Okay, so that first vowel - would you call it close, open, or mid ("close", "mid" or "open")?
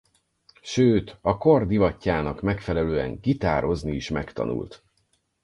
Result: mid